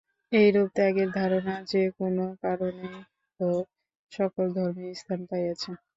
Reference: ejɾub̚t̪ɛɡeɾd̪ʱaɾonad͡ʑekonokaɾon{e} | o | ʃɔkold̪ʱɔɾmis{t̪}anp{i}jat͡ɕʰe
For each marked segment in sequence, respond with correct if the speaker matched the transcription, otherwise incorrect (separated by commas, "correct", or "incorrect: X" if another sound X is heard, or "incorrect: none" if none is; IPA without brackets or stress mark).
correct, incorrect: t̪ʰ, incorrect: a